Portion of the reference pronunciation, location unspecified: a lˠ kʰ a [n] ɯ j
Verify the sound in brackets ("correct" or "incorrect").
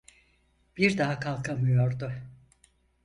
incorrect